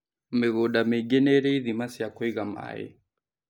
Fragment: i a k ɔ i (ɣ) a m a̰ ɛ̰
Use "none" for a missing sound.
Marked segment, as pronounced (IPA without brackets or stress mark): ɣ